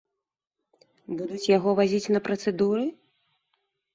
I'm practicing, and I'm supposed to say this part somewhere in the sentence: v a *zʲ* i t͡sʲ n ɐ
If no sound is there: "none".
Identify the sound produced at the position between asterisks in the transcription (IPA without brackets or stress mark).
zʲ